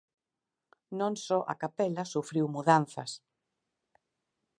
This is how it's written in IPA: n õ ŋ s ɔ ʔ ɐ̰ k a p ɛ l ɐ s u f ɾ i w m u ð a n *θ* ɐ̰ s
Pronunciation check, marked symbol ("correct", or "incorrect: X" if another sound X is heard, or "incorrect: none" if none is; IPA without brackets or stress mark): correct